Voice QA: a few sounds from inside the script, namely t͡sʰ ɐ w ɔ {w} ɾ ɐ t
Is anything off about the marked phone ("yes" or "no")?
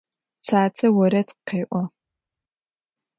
yes